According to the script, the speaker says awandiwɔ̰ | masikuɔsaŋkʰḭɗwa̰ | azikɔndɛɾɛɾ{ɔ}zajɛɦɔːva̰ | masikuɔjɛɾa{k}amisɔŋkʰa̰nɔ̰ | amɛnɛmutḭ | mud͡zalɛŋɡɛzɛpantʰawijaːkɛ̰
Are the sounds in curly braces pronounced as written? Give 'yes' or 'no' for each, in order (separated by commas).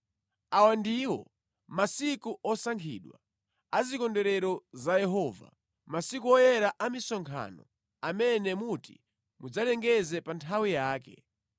yes, no